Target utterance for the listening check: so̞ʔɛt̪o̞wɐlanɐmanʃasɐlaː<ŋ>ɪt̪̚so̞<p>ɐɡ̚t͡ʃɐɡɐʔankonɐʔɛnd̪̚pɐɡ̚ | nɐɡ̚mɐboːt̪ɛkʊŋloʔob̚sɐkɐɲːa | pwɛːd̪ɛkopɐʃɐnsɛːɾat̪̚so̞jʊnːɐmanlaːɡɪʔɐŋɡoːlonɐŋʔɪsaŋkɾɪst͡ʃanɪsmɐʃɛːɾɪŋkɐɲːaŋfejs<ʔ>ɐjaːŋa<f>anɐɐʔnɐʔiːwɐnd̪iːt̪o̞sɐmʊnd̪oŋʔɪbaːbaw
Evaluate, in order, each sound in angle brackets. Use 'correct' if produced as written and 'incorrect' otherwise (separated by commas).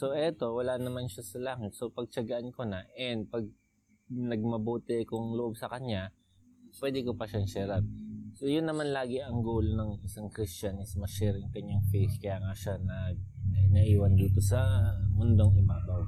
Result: correct, correct, incorrect, incorrect